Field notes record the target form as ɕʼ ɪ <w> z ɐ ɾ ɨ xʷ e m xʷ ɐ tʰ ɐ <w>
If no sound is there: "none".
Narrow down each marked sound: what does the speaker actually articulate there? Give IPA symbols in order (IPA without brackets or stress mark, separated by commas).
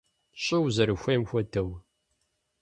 w, w